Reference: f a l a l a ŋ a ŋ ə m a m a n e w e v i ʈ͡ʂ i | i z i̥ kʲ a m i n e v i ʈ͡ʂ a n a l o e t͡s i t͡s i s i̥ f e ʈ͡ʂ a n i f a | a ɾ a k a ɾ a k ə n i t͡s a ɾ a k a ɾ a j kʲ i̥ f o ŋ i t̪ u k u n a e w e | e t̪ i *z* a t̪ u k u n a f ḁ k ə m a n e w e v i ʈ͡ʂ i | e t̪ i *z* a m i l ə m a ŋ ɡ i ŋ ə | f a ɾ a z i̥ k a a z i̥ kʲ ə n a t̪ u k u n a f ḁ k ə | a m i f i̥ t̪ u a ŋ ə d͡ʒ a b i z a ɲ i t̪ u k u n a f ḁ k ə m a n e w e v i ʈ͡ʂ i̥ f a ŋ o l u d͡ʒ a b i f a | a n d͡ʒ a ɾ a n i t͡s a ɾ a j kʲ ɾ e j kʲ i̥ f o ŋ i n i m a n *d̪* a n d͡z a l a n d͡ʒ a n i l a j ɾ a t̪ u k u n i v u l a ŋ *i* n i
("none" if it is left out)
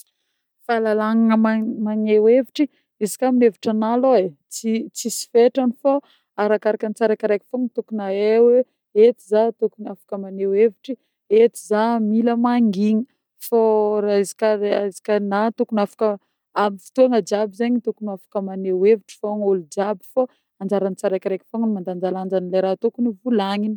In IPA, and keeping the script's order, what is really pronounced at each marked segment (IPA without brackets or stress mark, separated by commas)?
z, z, d̪, i